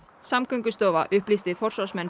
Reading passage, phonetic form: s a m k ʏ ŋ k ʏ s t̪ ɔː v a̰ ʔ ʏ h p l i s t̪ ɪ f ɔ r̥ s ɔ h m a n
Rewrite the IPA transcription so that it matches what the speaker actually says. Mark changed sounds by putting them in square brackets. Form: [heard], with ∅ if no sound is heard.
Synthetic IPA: s a m k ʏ ŋ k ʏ s t̪ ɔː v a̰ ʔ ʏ h p l i s t̪ ɪ f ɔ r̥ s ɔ [s] m [ɛ] n